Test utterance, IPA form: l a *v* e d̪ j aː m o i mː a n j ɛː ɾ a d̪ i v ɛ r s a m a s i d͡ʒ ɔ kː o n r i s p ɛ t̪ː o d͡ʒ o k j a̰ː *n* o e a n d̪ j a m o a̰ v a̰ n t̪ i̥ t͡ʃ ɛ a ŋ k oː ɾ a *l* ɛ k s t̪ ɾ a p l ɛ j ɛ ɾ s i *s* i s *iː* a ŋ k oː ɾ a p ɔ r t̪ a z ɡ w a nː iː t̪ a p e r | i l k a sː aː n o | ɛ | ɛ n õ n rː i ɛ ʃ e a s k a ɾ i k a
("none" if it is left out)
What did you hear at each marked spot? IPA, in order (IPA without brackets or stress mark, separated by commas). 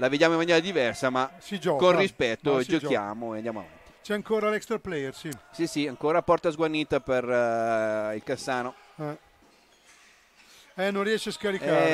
v, m, l, s, i